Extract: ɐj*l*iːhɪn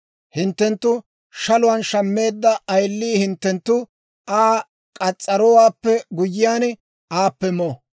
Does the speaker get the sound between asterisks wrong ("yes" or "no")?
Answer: yes